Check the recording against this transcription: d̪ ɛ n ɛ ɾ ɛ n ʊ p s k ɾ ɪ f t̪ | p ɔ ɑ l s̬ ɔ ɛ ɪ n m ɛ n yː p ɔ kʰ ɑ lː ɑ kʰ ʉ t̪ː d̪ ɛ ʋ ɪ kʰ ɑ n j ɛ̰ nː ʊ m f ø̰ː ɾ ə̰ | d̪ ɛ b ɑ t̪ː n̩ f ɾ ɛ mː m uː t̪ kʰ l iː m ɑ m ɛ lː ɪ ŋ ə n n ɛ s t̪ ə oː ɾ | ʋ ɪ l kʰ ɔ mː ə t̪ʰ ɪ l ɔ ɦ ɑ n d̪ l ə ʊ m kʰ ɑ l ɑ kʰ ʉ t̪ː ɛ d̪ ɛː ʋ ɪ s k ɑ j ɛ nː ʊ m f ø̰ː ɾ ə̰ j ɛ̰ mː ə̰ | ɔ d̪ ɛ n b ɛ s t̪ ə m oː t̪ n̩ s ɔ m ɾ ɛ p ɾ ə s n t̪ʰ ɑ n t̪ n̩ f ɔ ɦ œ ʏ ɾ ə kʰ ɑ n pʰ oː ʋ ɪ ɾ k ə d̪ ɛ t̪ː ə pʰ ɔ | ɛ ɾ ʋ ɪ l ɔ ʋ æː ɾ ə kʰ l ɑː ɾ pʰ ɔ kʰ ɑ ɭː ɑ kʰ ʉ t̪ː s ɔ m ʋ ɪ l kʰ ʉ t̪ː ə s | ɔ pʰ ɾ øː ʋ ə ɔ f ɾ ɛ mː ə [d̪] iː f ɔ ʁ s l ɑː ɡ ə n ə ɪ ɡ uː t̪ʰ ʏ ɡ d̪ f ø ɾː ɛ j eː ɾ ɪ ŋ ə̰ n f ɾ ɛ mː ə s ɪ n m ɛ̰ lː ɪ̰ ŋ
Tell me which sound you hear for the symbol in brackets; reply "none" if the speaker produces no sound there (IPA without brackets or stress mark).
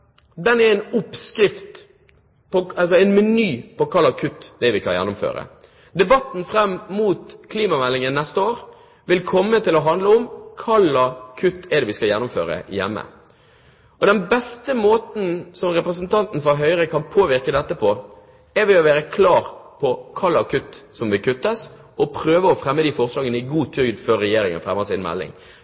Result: d̪